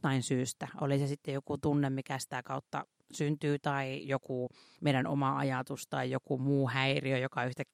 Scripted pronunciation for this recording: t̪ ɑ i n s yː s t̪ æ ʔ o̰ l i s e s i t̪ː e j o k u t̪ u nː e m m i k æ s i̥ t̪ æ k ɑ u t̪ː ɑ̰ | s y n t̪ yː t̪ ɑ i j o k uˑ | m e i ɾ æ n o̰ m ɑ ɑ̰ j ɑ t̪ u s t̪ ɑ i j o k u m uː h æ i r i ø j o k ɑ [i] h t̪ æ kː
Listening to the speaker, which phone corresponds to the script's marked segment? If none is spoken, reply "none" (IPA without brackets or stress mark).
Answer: y